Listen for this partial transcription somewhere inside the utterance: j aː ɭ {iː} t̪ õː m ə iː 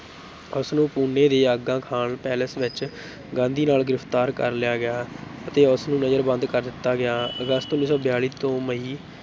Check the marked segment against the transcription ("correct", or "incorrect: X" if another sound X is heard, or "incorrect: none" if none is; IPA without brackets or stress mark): correct